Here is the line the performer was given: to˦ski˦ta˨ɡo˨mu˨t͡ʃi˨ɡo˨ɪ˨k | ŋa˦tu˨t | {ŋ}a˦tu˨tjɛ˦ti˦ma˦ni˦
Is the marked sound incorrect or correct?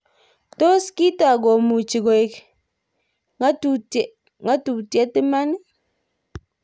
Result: correct